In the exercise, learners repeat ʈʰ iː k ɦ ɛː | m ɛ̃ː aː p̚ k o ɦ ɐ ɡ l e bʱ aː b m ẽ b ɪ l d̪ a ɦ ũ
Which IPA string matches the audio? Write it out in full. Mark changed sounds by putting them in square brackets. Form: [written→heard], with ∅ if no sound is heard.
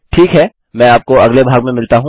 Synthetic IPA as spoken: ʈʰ iː k ɦ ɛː | m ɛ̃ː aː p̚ k o [ɦ→∅] ɐ ɡ l e bʱ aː [b→ɡ] m ẽ [b→m] ɪ l [d̪→t̪] a ɦ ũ